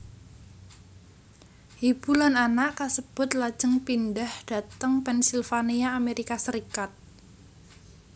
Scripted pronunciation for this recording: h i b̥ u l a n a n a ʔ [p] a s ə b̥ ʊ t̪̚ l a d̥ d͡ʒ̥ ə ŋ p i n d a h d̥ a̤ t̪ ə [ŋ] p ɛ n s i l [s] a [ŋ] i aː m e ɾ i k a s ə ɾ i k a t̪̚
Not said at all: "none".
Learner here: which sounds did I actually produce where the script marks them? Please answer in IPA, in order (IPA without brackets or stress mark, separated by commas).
k, ŋ, f, n